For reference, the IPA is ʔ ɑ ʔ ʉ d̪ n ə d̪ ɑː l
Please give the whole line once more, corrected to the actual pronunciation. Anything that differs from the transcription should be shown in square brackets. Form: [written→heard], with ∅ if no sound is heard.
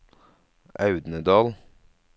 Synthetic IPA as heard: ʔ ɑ [ʔ→∅] ʉ d̪ n ə d̪ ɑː l